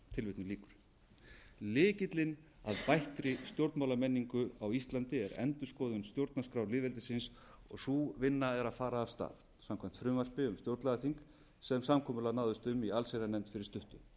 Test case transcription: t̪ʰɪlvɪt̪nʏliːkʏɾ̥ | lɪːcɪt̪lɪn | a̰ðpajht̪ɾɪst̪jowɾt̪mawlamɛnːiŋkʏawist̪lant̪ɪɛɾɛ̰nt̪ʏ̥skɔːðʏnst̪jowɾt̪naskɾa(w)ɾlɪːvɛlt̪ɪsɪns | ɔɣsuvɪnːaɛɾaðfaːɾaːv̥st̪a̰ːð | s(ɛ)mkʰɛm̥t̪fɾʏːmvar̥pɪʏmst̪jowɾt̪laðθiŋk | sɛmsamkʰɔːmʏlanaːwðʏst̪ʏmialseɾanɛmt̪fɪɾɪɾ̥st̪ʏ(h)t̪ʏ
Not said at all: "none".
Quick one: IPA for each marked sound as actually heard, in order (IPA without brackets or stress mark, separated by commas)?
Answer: w, a, h